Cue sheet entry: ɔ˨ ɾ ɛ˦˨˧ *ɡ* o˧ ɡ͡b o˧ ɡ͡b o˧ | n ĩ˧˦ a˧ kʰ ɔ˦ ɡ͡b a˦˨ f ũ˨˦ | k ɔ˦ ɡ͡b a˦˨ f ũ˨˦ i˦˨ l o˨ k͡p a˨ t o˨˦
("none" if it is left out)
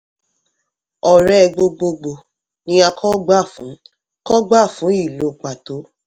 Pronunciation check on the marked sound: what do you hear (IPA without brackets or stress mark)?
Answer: ɡ͡b